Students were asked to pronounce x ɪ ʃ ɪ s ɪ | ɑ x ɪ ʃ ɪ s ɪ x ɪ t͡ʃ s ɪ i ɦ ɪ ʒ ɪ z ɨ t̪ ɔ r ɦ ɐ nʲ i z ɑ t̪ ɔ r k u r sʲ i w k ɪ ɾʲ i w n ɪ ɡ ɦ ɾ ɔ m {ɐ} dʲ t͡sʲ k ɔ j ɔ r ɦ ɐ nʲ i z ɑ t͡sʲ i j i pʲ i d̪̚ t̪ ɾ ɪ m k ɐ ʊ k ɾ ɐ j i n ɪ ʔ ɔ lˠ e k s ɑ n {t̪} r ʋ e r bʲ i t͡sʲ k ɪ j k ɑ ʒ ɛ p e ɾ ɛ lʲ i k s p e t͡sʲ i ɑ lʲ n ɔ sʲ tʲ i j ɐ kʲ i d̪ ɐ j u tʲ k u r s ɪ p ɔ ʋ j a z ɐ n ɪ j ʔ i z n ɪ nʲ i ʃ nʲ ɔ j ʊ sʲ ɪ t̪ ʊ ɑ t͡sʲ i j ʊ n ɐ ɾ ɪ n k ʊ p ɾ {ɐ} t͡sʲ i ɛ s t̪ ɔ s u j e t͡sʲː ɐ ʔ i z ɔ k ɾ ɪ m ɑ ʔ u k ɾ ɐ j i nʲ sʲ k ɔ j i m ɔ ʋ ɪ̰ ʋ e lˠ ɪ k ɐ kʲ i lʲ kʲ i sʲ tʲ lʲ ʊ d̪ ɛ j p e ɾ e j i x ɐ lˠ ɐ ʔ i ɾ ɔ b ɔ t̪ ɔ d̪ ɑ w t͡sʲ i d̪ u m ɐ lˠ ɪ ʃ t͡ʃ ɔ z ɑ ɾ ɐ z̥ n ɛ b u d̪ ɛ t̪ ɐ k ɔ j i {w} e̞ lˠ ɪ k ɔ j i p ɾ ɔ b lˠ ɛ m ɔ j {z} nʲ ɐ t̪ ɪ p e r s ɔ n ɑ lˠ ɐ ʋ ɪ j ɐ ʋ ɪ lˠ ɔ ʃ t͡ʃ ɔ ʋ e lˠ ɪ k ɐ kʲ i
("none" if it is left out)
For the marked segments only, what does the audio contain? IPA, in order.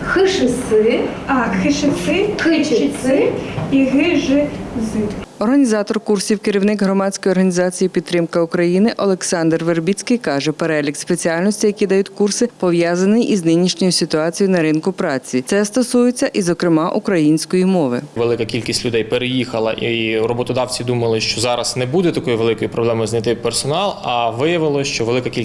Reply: ɑ, d̪, ɑ, ʋ, z

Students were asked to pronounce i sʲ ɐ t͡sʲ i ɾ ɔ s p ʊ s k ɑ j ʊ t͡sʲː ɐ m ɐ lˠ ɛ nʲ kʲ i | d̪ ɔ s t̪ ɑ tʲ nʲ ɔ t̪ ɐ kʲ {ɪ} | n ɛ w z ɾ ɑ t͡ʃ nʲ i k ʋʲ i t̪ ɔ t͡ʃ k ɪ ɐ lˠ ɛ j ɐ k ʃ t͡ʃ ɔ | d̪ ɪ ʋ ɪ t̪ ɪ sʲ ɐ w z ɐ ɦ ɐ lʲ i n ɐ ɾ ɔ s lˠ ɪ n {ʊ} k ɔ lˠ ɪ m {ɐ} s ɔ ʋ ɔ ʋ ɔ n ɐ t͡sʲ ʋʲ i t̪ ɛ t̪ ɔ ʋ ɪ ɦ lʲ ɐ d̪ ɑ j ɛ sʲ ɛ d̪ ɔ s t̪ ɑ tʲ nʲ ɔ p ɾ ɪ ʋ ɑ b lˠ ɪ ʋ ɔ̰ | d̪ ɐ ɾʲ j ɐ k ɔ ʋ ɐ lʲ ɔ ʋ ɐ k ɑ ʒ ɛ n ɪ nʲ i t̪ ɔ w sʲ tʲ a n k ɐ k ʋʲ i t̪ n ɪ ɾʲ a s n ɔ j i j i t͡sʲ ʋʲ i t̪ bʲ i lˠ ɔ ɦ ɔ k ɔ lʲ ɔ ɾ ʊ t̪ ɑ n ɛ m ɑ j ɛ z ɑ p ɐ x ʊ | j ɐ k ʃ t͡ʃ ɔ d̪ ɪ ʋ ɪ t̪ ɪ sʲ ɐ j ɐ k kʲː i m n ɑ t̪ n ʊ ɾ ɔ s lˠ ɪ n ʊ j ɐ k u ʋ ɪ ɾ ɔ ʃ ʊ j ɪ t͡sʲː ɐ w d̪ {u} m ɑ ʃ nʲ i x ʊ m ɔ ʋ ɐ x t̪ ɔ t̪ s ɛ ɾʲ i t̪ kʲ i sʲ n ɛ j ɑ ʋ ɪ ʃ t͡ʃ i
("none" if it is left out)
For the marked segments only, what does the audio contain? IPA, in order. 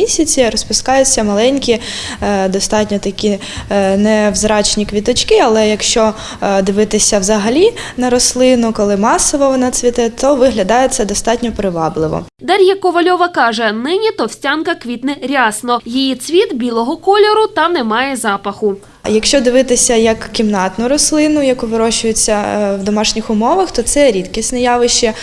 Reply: i, ʊ, ɑ, ɔ

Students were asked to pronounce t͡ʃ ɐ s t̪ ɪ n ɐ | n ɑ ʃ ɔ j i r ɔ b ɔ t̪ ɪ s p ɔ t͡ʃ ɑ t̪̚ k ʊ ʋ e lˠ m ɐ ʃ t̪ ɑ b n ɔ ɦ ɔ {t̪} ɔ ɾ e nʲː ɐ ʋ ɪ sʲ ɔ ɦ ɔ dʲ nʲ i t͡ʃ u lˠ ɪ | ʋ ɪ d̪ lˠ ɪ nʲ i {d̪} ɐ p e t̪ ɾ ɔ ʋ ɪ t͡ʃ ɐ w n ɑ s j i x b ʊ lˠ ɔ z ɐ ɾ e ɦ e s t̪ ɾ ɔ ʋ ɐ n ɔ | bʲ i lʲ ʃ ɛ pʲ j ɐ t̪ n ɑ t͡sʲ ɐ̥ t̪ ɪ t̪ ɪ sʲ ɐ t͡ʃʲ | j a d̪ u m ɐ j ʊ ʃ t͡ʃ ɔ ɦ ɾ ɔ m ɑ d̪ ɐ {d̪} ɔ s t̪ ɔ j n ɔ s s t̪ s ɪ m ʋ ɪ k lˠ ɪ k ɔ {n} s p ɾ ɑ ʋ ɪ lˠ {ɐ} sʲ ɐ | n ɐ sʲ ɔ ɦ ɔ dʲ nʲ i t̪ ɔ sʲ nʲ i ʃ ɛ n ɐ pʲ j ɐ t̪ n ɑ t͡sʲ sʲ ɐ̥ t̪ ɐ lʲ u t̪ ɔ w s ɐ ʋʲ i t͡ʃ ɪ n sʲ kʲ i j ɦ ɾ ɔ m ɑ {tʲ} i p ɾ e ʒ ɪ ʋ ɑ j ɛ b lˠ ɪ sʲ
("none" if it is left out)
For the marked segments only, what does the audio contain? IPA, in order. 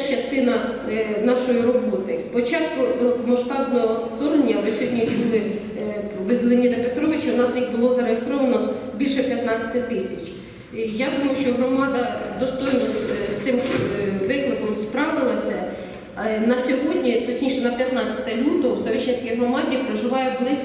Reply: t̪, d̪, d̪, m, ɐ, dʲ

